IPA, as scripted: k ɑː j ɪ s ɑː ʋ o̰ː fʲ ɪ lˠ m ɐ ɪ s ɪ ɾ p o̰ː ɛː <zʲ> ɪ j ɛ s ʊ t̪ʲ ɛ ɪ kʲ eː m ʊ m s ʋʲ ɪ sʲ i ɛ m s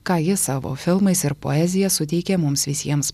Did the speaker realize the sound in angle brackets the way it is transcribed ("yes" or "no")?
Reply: yes